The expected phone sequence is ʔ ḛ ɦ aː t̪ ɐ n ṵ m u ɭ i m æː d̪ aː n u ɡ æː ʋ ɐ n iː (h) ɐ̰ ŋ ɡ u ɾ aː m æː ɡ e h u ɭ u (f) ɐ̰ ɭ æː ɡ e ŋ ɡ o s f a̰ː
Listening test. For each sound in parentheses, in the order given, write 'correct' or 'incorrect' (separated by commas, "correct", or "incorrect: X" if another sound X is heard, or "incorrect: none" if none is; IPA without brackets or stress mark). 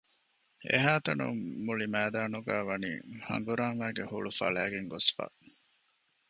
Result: correct, correct